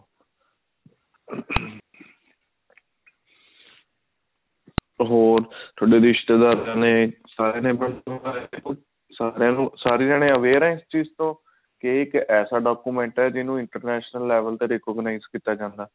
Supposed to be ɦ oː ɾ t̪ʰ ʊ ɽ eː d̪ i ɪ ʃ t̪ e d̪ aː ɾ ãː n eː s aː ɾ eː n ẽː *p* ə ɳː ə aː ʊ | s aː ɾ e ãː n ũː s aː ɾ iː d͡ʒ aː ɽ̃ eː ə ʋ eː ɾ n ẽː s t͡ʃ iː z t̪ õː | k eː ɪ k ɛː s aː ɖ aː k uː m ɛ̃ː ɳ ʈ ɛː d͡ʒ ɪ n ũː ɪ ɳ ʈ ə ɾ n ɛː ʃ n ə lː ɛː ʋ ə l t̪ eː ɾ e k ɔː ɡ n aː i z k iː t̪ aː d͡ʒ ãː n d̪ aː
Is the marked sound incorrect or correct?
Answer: incorrect